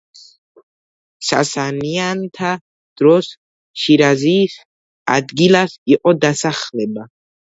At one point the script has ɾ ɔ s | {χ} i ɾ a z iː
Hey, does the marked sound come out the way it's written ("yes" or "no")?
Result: no